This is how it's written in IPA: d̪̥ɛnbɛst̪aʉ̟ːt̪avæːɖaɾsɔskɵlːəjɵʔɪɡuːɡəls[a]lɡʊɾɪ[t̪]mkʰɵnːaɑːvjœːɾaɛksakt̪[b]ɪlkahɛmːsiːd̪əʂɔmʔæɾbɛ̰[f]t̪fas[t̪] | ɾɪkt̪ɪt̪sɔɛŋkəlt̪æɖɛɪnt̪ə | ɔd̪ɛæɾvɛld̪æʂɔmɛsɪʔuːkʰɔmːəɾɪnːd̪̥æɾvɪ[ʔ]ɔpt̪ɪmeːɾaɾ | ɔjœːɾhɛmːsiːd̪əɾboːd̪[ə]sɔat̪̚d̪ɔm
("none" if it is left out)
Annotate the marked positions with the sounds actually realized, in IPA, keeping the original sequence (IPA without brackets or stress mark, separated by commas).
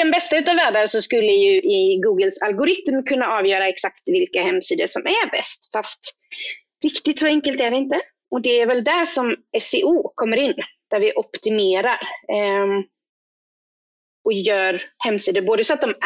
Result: a, t̪, v, s, t̪, ʔ, ə